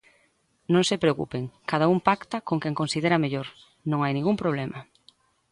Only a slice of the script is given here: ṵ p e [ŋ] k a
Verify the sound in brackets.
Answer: correct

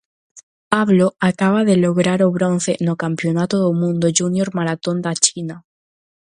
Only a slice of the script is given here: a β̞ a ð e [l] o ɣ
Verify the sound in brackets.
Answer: correct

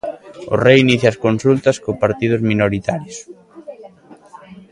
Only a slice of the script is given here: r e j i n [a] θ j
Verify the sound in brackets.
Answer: incorrect: i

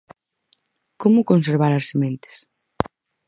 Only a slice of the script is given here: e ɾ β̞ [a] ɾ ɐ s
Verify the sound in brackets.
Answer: correct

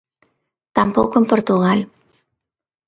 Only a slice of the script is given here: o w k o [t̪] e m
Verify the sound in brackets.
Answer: incorrect: none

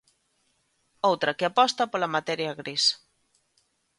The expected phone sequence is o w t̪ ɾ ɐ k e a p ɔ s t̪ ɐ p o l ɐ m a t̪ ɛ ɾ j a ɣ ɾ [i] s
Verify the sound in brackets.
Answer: correct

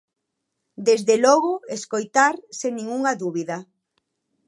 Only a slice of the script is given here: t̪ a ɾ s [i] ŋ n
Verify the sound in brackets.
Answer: incorrect: e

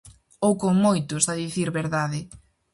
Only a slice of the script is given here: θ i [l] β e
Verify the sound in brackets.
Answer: incorrect: ɾ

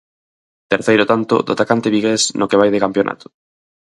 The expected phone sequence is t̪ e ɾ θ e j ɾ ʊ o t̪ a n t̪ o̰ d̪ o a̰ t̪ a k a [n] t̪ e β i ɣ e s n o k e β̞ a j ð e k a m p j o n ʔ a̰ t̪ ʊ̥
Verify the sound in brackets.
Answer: correct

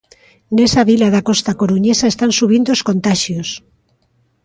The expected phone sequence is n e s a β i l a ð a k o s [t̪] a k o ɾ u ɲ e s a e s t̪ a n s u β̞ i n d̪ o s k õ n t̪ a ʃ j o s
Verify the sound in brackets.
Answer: correct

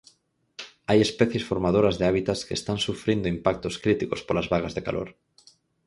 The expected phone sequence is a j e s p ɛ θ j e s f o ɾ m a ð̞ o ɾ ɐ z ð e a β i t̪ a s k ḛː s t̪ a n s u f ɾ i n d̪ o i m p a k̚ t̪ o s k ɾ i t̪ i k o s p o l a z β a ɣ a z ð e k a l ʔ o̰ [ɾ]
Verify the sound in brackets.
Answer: correct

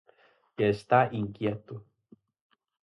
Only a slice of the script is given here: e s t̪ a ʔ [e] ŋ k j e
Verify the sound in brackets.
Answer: incorrect: i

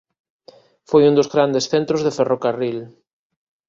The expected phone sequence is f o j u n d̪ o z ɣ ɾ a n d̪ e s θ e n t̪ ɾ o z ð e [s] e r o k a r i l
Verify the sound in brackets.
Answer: incorrect: f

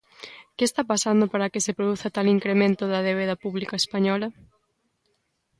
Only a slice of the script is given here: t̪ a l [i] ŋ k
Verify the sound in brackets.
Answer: correct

